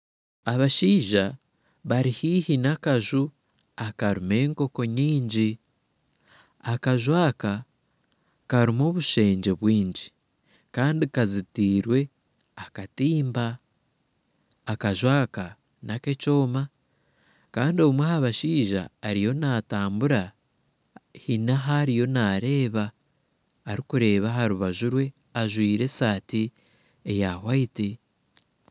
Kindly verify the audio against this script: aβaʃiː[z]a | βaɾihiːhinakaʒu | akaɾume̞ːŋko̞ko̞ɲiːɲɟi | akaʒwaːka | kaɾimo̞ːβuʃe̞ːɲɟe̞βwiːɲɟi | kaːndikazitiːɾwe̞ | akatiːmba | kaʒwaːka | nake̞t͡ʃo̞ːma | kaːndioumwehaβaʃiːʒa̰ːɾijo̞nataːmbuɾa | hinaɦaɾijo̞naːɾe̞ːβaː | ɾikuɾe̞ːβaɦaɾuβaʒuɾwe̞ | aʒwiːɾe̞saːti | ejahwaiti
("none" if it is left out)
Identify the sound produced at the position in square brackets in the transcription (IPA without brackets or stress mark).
ʒ